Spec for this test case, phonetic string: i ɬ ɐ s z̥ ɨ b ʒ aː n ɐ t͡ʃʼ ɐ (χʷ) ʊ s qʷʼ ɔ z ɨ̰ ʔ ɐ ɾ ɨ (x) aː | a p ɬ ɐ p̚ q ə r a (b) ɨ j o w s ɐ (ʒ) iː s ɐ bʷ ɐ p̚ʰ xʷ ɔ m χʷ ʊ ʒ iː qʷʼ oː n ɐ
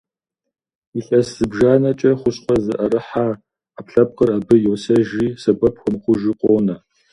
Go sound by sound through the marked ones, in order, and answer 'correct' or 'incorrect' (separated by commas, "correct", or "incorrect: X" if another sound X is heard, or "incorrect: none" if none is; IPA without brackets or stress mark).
correct, incorrect: ħ, correct, correct